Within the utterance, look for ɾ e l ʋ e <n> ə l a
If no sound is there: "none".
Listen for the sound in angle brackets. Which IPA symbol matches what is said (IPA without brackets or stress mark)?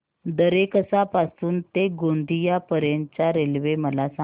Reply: m